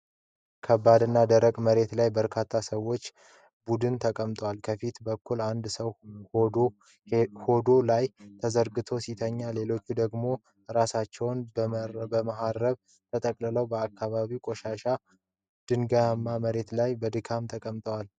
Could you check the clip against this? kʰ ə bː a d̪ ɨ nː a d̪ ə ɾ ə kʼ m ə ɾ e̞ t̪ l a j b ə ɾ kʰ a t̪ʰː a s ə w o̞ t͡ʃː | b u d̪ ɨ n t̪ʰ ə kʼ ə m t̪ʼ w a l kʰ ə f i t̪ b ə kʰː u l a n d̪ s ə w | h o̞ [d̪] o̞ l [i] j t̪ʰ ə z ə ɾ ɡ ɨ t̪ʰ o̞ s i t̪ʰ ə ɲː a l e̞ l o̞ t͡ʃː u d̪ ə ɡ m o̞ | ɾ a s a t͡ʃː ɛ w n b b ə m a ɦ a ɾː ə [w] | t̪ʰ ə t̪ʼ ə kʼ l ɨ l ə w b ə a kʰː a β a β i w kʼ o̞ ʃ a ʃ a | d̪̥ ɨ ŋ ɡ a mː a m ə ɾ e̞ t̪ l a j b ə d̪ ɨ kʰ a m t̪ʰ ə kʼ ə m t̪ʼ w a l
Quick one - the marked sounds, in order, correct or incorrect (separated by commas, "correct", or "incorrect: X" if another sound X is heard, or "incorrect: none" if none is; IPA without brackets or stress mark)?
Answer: correct, incorrect: a, incorrect: β